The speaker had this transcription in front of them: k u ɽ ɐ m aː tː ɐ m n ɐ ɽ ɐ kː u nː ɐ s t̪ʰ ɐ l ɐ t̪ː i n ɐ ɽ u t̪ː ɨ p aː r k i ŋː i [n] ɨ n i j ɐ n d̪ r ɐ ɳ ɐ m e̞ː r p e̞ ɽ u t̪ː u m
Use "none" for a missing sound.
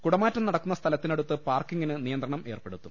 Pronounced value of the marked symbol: n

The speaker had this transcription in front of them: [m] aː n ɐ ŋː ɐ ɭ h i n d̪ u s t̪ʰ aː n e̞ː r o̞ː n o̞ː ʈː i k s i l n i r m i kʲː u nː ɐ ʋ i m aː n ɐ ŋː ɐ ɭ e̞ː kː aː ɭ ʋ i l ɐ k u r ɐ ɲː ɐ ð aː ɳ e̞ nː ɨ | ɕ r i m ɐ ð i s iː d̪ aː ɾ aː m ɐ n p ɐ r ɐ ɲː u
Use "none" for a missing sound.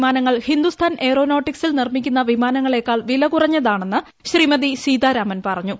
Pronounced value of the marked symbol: m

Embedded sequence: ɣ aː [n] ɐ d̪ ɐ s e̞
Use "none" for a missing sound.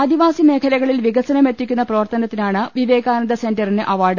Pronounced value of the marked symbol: n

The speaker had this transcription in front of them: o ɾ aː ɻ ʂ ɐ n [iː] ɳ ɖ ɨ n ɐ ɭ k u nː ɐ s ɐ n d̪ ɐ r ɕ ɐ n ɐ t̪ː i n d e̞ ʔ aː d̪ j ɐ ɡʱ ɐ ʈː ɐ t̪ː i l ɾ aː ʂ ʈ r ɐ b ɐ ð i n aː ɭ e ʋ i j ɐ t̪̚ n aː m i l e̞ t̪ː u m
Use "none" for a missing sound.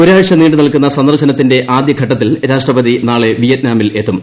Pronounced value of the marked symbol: iː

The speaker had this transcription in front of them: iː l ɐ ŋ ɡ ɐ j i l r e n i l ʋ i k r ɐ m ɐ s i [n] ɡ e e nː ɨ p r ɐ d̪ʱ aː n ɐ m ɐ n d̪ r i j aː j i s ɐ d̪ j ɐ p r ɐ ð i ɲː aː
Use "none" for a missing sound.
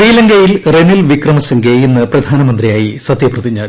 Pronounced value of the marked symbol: ŋ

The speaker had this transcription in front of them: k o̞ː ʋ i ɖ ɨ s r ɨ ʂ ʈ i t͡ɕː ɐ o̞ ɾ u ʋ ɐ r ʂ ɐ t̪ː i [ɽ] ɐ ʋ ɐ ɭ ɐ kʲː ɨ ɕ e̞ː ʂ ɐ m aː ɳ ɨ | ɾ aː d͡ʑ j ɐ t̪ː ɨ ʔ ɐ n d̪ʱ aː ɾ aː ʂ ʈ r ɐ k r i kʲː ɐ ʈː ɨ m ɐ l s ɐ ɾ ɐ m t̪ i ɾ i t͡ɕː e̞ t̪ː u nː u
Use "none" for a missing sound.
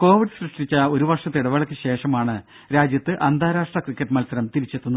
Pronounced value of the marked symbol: ɽ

